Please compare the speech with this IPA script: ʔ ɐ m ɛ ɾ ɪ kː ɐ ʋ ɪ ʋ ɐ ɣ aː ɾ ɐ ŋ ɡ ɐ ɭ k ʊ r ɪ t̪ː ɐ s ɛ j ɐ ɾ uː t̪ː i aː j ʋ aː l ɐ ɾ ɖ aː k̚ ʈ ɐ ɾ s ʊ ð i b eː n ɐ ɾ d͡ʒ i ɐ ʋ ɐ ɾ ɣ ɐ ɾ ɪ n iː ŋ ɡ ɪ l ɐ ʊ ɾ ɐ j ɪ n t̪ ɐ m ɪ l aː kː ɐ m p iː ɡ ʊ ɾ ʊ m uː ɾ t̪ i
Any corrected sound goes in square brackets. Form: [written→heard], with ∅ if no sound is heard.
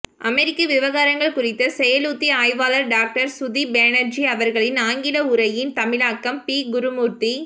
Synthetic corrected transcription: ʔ ɐ m ɛ ɾ ɪ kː ɐ ʋ ɪ ʋ ɐ ɣ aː ɾ ɐ ŋ ɡ ɐ ɭ k ʊ r ɪ t̪ː ɐ s ɛ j ɐ [ɾ→l] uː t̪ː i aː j ʋ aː l ɐ ɾ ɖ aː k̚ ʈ ɐ ɾ s ʊ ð i b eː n ɐ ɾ d͡ʒ i ɐ ʋ ɐ ɾ ɣ ɐ [ɾ→ɭ] ɪ n [iː→aː] ŋ ɡ ɪ l ɐ ʊ ɾ ɐ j ɪ n t̪ ɐ m ɪ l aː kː ɐ m p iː ɡ ʊ ɾ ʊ m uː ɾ t̪ i

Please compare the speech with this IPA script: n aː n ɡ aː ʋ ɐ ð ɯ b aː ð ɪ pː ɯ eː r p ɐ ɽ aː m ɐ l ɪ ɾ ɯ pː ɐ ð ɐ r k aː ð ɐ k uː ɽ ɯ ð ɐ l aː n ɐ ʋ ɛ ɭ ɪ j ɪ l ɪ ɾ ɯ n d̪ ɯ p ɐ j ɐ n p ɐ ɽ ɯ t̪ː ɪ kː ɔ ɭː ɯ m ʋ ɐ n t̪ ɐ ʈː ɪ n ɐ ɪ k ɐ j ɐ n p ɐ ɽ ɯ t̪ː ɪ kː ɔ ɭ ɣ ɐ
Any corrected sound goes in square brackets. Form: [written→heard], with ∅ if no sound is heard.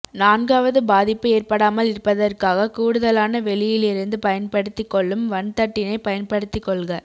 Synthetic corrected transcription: n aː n ɡ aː ʋ ɐ ð ɯ b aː ð ɪ pː ɯ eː r p ɐ ɽ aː m ɐ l ɪ ɾ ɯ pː ɐ ð ɐ r k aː [ð→ɣ] ɐ k uː ɽ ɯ ð ɐ l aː n ɐ ʋ ɛ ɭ ɪ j ɪ l ɪ ɾ ɯ n d̪ ɯ p ɐ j ɐ n p ɐ ɽ ɯ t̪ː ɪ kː ɔ ɭː ɯ m ʋ ɐ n t̪ ɐ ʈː ɪ n ɐ ɪ [k→p] ɐ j ɐ n p ɐ ɽ ɯ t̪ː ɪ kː ɔ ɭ ɣ ɐ

